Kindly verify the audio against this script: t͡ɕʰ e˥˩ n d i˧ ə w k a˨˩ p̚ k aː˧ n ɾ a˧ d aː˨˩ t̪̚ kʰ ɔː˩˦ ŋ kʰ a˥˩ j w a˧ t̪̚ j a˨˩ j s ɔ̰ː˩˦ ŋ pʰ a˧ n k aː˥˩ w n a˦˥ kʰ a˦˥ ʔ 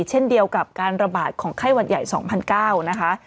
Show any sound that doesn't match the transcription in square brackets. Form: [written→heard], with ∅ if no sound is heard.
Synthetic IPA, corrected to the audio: t͡ɕʰ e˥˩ n d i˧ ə w k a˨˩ p̚ k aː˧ n ɾ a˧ [d→b] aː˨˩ t̪̚ kʰ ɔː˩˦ ŋ kʰ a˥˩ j w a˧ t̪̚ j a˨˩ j s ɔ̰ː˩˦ ŋ pʰ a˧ n k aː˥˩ w n a˦˥ kʰ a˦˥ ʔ